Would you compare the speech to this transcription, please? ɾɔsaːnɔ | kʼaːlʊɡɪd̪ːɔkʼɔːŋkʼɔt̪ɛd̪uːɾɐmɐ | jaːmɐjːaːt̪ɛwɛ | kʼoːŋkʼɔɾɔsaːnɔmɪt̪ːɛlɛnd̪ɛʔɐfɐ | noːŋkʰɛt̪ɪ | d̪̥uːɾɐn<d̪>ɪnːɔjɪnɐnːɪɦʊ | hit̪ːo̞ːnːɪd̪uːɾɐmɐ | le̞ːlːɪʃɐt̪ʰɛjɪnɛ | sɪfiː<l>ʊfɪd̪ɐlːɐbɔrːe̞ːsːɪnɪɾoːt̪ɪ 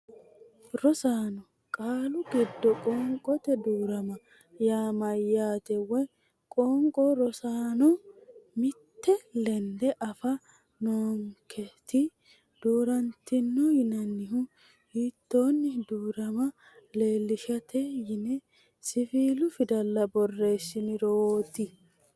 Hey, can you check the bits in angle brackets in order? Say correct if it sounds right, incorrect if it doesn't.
incorrect: t̪, correct

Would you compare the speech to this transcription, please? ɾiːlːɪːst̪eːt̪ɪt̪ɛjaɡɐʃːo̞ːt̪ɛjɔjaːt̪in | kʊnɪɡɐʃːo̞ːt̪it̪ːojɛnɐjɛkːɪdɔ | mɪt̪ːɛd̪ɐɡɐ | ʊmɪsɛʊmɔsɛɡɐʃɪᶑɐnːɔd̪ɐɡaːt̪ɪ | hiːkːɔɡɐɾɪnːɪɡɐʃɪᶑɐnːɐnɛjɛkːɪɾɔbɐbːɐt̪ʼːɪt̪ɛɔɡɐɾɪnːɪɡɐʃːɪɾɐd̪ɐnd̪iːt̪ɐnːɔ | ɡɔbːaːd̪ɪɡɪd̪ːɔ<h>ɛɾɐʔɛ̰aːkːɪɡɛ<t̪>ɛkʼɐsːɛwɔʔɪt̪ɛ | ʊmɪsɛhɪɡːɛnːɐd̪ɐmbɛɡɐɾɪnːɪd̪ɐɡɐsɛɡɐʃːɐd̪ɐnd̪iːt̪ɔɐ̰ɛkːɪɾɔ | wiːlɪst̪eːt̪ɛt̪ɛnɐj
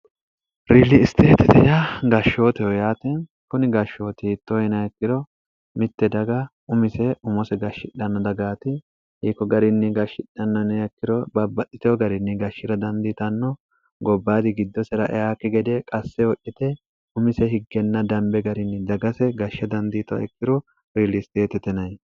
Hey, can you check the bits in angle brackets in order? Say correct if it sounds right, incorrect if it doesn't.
incorrect: s, incorrect: d̪

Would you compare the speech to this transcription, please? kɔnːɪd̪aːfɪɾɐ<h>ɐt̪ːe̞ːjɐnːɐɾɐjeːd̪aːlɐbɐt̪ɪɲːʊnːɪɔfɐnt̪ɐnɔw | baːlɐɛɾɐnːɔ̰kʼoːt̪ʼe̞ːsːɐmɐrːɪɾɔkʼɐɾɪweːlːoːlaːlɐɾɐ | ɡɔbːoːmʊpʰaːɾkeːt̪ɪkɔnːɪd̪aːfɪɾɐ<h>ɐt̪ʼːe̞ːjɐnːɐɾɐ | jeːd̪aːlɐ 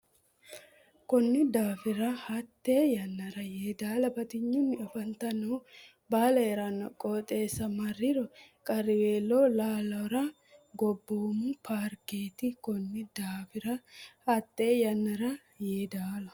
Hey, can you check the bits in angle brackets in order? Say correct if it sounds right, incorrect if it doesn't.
correct, correct

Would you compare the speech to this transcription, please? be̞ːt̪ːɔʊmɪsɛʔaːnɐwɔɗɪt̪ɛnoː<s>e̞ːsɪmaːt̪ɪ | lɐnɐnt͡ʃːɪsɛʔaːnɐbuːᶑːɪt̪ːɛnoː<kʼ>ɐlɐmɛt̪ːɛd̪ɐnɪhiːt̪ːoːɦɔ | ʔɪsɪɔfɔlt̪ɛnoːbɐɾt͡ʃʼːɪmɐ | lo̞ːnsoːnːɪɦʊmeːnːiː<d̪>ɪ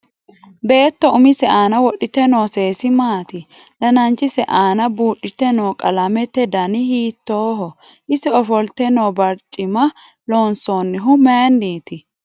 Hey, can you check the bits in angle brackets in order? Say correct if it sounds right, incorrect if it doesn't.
correct, correct, incorrect: t̪

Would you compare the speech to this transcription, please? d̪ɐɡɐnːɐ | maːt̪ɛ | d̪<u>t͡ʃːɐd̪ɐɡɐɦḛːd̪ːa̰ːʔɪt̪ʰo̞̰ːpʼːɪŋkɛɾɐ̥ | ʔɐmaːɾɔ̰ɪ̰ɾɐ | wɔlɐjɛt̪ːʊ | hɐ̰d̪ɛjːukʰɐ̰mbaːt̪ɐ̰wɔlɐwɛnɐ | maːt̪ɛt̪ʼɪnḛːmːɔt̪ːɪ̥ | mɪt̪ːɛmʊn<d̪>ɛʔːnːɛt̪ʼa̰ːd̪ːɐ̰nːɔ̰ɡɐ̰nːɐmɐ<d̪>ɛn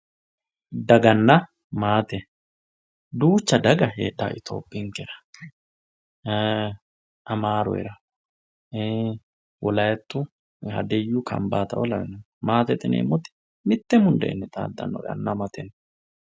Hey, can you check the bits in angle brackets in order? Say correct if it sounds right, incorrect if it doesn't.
incorrect: uː, correct, incorrect: t̪

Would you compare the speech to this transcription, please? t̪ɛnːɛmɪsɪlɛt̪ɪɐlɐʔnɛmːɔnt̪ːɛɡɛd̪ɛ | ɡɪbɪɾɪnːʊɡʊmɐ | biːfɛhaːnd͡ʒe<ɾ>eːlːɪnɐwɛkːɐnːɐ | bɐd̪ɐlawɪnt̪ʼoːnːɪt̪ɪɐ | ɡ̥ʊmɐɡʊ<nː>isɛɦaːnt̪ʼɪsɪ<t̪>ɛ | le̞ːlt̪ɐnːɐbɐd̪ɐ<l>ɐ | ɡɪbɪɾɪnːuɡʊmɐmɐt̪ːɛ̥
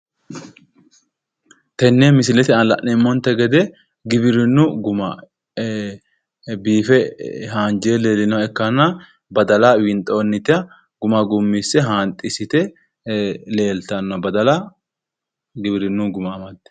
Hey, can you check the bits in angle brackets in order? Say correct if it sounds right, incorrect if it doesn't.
incorrect: l, incorrect: mː, correct, correct

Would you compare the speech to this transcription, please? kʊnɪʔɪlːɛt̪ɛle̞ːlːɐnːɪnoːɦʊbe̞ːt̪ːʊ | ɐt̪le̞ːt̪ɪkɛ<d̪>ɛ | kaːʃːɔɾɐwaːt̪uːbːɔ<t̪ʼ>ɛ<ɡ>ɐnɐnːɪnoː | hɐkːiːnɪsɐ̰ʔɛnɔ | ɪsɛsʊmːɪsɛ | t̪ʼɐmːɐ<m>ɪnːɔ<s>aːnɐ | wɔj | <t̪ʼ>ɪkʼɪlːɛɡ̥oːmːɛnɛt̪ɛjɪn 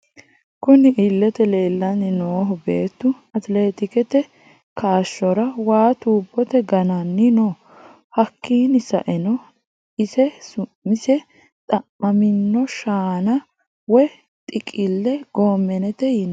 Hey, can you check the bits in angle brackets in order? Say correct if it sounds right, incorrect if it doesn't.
incorrect: t̪, incorrect: t̪, correct, correct, incorrect: ʃ, correct

